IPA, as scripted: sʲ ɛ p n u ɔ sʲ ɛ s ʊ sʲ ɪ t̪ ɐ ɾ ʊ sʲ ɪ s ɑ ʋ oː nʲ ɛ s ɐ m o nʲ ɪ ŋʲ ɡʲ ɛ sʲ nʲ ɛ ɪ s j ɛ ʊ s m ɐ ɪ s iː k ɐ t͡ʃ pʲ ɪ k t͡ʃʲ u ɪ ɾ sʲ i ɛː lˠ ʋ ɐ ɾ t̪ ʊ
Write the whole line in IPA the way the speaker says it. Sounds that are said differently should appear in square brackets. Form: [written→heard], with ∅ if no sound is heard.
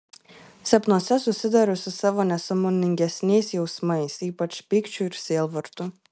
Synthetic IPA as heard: sʲ ɛ p n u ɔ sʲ ɛ s ʊ sʲ ɪ [t̪→d̪] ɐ ɾ ʊ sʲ ɪ s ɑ ʋ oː nʲ ɛ s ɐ m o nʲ ɪ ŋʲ ɡʲ ɛ sʲ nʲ ɛ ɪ s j ɛ ʊ s m ɐ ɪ s iː [k→p] ɐ t͡ʃ pʲ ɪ k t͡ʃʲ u ɪ ɾ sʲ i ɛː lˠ ʋ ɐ ɾ t̪ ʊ